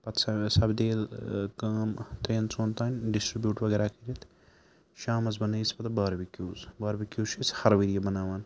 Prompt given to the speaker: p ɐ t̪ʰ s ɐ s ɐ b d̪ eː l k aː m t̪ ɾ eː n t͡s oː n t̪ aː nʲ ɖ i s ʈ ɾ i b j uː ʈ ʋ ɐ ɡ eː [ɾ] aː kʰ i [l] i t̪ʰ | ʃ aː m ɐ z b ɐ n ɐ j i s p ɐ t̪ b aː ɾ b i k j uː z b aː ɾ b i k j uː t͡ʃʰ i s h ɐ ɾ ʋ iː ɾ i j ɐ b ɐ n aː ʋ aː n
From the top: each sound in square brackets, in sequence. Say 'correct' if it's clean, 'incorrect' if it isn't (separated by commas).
correct, incorrect